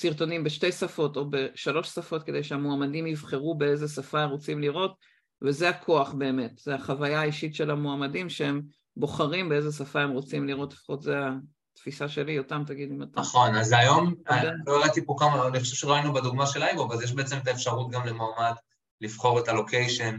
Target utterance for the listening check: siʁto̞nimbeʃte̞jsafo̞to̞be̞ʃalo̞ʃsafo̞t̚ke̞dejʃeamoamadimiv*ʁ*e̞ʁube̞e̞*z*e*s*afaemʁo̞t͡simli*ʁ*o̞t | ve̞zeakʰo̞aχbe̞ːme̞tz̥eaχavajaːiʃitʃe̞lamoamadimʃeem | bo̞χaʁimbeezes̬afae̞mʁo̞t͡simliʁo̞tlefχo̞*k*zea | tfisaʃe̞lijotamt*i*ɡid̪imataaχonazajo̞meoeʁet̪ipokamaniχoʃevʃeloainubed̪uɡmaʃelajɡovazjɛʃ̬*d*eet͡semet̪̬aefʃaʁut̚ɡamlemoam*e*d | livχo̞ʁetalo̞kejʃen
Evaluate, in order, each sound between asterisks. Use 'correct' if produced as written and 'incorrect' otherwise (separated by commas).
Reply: incorrect, correct, correct, correct, incorrect, incorrect, incorrect, incorrect